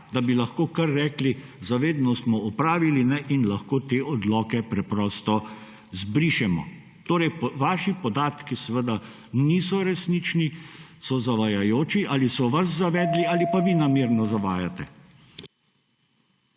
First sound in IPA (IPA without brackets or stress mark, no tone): d̪